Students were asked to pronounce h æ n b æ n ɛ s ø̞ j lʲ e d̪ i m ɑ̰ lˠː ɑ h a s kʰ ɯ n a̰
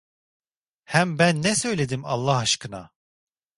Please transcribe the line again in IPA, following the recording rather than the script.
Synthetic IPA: h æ m b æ nː ɛ s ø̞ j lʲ e d̪ i m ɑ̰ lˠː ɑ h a ʃ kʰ ɯ n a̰